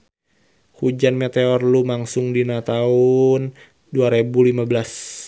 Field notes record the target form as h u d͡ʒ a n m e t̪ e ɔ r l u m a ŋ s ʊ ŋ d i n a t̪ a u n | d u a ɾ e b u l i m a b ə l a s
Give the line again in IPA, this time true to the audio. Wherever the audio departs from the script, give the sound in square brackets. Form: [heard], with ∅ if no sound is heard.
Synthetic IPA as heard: h u d͡ʒ a n m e t̪ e ɔ r l u m a ŋ s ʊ ŋ d i n a t̪ a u n | d u a ɾ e b u l i m a b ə l a s